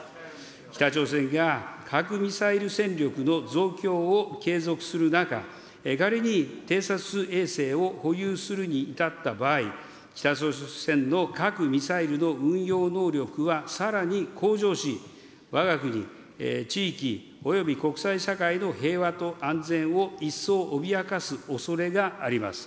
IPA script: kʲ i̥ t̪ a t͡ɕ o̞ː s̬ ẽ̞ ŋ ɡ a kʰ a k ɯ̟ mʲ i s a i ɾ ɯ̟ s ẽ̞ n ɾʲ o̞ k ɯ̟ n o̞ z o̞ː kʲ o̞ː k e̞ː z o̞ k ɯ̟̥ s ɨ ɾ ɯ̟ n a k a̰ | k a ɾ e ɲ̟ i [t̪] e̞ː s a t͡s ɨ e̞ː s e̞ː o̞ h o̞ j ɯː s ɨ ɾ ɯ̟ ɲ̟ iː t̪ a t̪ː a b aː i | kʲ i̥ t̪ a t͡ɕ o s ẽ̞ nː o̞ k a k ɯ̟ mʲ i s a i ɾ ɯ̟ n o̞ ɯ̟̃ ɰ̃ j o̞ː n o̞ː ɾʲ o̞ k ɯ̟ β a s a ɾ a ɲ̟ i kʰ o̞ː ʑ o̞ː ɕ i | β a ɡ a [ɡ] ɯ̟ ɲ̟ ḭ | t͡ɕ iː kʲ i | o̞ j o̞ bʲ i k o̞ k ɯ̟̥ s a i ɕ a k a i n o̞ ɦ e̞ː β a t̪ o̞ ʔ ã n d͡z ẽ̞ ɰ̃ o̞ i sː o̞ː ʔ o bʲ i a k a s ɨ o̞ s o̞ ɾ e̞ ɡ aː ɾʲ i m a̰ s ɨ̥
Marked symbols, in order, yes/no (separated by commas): yes, no